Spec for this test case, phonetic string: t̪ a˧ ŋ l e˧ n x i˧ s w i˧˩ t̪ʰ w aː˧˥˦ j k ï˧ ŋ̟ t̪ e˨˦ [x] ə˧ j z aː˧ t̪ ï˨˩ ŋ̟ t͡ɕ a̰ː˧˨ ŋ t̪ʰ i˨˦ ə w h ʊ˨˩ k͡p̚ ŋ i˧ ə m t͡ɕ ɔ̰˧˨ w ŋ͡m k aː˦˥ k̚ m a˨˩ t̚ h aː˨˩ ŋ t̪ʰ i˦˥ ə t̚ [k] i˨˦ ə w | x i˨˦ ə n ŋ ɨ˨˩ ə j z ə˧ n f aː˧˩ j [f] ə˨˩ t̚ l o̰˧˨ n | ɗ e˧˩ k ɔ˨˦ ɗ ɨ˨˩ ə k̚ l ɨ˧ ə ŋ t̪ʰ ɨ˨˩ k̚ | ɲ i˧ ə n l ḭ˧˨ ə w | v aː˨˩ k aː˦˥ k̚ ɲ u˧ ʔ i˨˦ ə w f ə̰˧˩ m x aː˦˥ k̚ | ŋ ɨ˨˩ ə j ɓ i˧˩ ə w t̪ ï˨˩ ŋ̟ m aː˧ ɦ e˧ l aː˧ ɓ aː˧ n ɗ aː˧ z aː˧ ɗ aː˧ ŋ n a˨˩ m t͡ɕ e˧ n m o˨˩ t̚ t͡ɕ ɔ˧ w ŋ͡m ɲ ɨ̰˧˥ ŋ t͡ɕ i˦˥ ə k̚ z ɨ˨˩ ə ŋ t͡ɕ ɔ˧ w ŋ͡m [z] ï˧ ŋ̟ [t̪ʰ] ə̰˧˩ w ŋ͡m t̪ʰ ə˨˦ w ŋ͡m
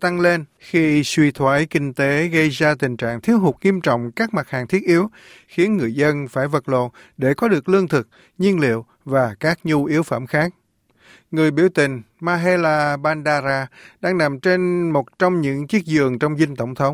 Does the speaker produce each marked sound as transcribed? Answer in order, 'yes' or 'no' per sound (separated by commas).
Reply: no, no, no, yes, no